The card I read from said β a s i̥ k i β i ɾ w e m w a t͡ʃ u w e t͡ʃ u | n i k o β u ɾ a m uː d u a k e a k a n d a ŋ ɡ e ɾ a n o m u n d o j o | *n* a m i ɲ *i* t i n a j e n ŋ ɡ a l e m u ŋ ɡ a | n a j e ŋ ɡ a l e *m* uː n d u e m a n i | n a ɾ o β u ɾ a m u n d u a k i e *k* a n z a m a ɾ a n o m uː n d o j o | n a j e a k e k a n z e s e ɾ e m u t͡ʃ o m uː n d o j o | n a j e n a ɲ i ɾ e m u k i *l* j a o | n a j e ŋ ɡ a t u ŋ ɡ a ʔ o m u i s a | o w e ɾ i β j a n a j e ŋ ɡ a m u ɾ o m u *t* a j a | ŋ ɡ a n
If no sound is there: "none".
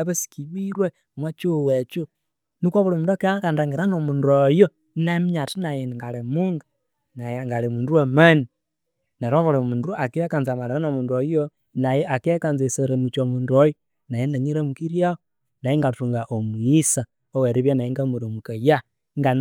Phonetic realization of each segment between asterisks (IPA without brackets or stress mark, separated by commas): n, a, m, k, ɾ, k